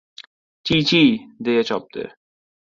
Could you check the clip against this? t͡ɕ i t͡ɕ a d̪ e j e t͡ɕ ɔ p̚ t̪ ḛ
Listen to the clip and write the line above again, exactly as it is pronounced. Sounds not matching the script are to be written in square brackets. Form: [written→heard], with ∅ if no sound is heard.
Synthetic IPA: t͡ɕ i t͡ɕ [a→i] d̪ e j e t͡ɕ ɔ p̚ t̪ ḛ